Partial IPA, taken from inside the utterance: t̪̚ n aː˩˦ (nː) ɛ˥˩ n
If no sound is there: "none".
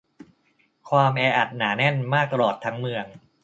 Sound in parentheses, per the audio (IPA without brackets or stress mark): n